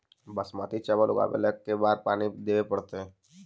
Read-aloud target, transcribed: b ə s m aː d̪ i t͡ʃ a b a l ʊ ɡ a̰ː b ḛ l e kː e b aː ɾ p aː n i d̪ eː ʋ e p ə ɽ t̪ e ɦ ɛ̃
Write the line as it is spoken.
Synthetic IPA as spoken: b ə s m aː t̪ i t͡ʃ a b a l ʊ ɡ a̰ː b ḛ l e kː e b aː ɾ p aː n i d̪ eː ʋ e p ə ɽ t̪ e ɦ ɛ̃